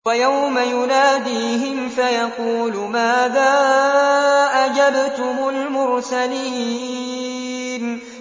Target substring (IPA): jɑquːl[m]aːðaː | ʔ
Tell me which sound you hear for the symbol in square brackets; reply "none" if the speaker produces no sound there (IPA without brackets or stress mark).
m